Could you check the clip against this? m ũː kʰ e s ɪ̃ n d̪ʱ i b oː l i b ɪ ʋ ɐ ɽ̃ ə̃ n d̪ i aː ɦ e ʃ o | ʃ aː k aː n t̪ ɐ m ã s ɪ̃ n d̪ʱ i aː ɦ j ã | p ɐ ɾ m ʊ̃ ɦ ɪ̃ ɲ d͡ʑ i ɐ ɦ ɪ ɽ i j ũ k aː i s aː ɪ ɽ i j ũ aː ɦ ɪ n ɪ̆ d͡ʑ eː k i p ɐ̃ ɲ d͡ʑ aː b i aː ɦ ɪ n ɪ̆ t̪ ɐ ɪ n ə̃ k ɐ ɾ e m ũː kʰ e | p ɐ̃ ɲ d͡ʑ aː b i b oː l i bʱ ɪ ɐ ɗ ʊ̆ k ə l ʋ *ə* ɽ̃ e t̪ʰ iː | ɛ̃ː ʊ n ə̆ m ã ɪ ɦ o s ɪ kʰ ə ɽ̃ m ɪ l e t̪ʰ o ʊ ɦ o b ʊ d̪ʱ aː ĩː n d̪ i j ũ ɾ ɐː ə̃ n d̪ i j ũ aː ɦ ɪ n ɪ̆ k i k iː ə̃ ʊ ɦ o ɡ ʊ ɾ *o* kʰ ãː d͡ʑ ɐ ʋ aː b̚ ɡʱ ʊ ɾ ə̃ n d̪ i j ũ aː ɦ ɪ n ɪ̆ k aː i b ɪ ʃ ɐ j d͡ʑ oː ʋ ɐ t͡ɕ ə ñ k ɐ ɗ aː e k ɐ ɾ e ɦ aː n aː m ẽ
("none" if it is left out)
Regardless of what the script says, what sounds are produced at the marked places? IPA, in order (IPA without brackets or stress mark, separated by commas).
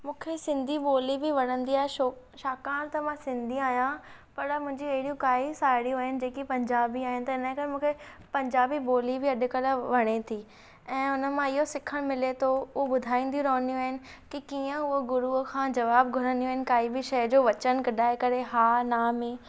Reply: ɐ, u